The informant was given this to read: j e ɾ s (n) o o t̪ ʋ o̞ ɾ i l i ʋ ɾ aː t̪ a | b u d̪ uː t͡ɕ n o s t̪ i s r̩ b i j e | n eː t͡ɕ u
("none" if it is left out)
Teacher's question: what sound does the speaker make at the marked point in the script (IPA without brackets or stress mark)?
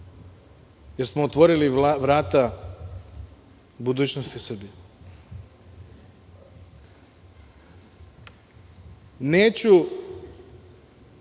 m